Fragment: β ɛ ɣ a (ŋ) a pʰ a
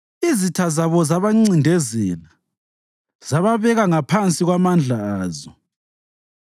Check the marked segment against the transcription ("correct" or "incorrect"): correct